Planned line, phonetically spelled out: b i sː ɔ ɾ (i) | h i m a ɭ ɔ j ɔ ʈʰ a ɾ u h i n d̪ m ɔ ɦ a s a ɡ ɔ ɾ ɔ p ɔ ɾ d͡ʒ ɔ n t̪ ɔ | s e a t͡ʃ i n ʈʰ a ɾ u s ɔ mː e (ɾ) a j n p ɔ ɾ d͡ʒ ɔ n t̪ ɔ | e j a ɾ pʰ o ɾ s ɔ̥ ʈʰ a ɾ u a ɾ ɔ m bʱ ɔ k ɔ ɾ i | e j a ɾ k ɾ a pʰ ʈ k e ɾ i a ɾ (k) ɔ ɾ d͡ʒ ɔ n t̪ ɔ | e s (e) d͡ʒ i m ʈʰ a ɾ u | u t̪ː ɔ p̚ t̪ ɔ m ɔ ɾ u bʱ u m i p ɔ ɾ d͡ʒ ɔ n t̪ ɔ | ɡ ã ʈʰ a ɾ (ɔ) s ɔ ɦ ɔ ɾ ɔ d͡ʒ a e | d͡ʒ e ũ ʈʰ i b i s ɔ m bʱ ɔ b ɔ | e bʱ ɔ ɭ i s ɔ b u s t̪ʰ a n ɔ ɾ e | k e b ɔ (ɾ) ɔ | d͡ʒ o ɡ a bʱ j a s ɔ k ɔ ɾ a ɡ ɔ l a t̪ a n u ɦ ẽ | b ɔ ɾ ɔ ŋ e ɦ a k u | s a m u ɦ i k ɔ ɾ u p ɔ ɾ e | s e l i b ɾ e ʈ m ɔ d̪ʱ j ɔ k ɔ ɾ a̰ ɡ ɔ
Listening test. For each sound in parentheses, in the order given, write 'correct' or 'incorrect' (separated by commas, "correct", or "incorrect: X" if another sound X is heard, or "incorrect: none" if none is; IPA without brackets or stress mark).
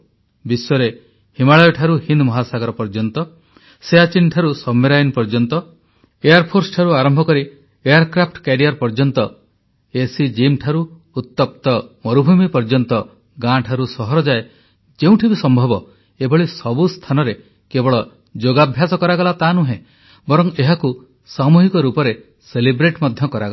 incorrect: e, correct, incorrect: p, incorrect: i, incorrect: u, incorrect: ɭ